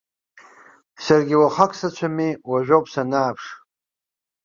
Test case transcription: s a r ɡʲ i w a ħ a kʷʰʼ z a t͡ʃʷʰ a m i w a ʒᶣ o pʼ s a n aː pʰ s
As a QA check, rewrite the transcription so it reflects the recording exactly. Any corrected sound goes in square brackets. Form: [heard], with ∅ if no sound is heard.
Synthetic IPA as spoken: s a r ɡʲ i w a [χ] a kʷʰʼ [s] a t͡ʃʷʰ a m i w a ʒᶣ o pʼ s a n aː pʰ [ʂ]